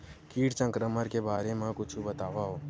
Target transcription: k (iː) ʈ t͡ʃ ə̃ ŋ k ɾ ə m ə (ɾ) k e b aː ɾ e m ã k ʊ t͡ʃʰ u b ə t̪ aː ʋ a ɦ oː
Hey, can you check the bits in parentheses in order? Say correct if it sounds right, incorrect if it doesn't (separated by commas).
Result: correct, correct